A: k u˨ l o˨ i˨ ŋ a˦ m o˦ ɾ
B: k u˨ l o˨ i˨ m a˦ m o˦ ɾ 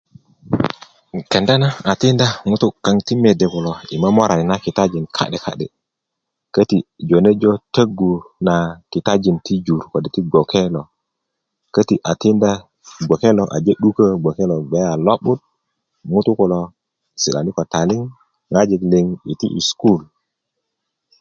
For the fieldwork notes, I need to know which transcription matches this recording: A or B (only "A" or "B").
B